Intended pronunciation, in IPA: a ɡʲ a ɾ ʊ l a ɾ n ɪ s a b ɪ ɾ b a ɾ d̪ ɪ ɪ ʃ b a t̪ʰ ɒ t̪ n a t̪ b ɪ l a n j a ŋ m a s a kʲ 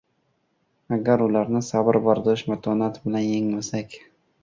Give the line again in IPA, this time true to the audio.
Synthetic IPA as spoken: a ɡʲ a ɾ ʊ l a ɾ n ɪ s a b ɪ ɾ b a ɾ d̪ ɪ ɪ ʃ m a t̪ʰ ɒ n a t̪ b ɪ l a n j e ŋ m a s a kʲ